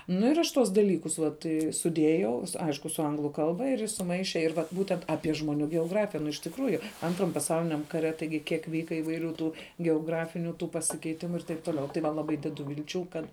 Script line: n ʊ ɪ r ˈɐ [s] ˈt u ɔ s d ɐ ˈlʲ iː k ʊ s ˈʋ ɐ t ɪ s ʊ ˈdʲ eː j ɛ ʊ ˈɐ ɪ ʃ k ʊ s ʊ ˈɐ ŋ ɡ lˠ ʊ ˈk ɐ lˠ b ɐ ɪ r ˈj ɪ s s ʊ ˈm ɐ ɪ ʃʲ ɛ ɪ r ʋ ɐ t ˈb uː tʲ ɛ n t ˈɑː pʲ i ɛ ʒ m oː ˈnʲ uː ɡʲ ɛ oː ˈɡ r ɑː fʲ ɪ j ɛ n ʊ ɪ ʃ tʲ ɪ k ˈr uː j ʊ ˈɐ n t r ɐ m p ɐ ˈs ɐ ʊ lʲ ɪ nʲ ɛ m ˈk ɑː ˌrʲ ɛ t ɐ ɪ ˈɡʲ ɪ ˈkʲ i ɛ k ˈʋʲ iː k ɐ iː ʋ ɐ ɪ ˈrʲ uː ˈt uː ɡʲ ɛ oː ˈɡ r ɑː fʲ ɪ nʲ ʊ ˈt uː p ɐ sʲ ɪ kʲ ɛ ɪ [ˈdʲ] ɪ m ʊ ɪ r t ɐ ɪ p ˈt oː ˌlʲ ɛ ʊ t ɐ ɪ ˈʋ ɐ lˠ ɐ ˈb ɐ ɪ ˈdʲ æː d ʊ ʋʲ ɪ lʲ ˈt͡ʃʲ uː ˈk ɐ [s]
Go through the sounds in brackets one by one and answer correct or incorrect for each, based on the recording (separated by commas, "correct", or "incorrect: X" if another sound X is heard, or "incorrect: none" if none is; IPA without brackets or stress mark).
incorrect: ʃ, incorrect: tʲ, incorrect: t